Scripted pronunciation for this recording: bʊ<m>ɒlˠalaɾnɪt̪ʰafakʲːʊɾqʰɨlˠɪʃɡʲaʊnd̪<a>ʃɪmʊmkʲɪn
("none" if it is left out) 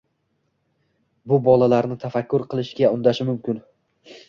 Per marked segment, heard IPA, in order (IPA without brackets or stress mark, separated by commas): b, a